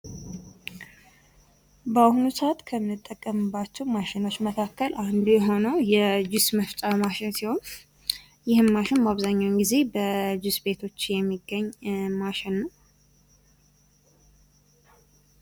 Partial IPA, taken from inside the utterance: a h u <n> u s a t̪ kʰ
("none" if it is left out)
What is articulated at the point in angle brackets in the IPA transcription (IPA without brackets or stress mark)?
n